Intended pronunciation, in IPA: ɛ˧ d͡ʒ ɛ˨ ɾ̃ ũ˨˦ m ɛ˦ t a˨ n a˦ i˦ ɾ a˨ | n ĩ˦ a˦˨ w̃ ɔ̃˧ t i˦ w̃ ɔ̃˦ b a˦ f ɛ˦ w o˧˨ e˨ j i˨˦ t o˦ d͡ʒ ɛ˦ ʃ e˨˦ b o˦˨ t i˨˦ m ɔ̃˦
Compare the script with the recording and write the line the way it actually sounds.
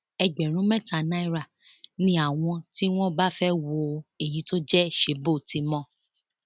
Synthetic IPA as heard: ɛ˧ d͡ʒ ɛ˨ ɾ̃ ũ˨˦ m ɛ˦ t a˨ n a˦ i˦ ɾ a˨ | n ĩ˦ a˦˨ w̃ ɔ̃˧ t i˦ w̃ ɔ̃˦ b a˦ f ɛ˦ w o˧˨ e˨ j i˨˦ t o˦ d͡ʒ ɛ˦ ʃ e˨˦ b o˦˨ t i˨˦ m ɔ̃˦